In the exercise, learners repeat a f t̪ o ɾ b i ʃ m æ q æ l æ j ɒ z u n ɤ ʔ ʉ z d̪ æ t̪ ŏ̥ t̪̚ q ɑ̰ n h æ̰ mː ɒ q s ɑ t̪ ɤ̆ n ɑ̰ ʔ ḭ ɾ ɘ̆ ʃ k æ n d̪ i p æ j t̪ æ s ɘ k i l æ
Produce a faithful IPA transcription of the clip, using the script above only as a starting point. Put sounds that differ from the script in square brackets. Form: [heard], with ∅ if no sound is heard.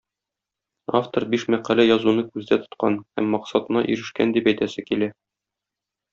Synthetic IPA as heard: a f t̪ o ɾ b i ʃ m æ q æ l æ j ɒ z u n ɤ [k] ʉ z d̪ æ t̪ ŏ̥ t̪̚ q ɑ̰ n h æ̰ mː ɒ q s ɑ t̪ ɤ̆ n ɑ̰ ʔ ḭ ɾ ɘ̆ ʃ k æ n d̪ i p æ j t̪ æ s ɘ k i l æ